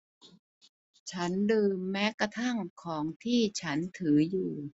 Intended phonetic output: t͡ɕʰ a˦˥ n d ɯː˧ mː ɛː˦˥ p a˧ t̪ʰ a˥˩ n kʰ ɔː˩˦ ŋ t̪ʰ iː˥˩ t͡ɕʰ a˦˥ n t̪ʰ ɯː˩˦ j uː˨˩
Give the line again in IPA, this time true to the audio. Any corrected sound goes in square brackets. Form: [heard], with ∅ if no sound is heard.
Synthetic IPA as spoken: t͡ɕʰ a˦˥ n d ɯː˧ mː ɛː˦˥ [k] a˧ t̪ʰ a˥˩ [ŋ] kʰ ɔː˩˦ ŋ t̪ʰ iː˥˩ t͡ɕʰ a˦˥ n t̪ʰ ɯː˩˦ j uː˨˩